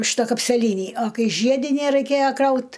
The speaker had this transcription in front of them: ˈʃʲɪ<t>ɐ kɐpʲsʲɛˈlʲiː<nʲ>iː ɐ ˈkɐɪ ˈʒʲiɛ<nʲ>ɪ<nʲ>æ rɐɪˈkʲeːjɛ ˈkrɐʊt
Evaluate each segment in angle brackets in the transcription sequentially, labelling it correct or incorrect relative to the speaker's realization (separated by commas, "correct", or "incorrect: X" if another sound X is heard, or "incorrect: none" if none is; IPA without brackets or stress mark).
correct, correct, incorrect: dʲ, correct